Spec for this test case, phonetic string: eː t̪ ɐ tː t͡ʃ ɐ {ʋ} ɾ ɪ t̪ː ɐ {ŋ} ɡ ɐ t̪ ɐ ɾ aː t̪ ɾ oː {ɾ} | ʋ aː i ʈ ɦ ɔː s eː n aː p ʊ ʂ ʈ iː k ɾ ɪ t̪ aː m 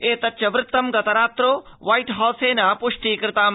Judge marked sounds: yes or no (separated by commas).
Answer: yes, no, no